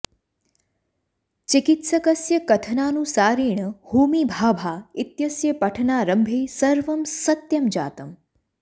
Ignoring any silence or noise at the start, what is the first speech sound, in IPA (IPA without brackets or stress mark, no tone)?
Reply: t͡ʃ